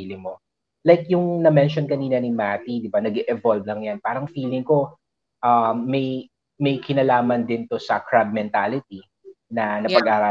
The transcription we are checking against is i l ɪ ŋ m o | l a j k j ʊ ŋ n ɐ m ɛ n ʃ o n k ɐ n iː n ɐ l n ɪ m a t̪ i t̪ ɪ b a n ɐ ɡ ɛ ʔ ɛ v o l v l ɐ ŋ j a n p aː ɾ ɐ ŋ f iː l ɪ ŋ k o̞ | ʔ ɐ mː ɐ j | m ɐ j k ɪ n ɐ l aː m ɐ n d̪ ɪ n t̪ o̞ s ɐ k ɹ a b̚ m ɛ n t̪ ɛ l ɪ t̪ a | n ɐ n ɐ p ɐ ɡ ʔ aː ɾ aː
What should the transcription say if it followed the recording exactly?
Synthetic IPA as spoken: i l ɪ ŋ m o | l a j k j ʊ ŋ n ɐ m ɛ n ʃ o n k ɐ n iː n ɐ n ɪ m a t̪ i d̪ ɪ b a n ɐ ɡ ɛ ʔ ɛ v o l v l ɐ ŋ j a n p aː ɾ ɐ ŋ f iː l ɪ ŋ k o̞ | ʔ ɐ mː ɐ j | m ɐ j k ɪ n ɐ l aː m ɐ n d̪ ɪ n t̪ o̞ s ɐ k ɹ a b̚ m ɛ n t̪ a l ɪ t̪ i | n ɐ n ɐ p ɐ ɡ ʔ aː ɾ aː